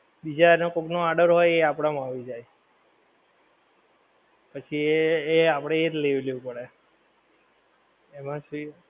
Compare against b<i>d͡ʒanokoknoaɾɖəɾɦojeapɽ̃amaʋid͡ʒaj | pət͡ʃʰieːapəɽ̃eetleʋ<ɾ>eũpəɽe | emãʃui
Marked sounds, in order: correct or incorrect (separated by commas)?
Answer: correct, incorrect